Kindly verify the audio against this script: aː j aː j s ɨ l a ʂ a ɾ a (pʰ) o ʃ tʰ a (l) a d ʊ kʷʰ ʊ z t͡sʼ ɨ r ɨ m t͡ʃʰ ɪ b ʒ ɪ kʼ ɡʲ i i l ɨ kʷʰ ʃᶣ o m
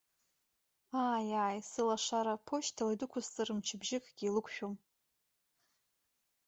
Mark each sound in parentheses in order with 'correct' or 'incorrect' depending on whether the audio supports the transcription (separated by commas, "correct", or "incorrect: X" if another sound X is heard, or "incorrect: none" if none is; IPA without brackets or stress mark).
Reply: correct, correct